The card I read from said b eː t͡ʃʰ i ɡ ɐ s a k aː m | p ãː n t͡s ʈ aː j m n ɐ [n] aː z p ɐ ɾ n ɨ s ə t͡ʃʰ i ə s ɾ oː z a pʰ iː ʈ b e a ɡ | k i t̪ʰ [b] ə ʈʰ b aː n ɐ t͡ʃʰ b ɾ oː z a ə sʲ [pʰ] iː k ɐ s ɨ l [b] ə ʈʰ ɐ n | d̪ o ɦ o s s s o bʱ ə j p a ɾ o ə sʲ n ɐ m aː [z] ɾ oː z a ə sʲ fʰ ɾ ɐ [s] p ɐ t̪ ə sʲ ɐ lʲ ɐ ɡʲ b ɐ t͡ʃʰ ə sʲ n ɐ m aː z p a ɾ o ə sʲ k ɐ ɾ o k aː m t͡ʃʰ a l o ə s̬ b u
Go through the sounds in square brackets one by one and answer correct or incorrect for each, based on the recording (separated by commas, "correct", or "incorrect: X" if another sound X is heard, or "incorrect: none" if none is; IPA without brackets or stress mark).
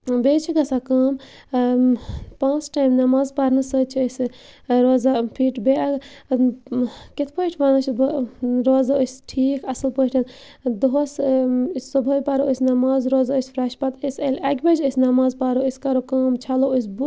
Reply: incorrect: m, incorrect: p, incorrect: ʈʰ, incorrect: p, correct, incorrect: ʃ